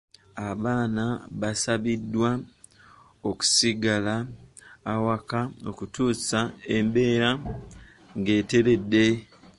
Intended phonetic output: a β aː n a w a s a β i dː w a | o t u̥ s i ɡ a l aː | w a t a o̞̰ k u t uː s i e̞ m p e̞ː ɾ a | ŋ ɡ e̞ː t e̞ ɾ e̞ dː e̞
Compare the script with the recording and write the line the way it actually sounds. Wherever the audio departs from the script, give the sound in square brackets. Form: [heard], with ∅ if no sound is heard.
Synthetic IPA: a β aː n a [β] a s a β i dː w a | o [k] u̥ s i ɡ a l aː | w a [k] a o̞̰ k u t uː s [a] e̞ m [b] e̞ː ɾ a | ŋ ɡ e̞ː t e̞ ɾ e̞ dː e̞